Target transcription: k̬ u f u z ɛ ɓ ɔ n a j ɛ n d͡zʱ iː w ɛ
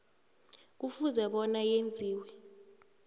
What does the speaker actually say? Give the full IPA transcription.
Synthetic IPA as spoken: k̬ u f u z ɛ ɓ ɔ n a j e n d͡zʱ iː w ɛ